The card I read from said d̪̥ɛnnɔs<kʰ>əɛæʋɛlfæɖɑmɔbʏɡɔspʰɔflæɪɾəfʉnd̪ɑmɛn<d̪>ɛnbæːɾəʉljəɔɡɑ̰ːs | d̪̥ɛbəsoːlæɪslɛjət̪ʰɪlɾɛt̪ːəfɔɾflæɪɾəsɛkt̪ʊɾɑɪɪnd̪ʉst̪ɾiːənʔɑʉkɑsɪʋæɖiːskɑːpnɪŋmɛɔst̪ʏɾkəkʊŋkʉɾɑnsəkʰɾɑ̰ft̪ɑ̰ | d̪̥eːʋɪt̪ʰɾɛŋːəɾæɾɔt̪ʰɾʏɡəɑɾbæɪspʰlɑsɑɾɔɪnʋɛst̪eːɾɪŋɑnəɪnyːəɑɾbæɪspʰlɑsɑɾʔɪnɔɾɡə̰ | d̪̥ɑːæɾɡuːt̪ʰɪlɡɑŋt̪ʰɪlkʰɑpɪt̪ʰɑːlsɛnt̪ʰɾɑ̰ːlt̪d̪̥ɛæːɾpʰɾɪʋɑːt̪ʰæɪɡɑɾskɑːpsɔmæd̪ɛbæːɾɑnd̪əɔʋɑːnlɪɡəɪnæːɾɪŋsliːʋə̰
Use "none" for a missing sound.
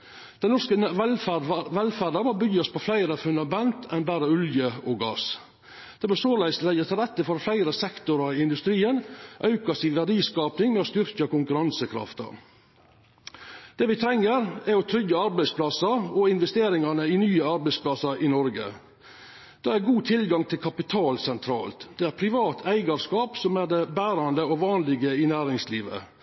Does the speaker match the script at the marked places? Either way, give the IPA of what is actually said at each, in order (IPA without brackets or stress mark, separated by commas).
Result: k, t̪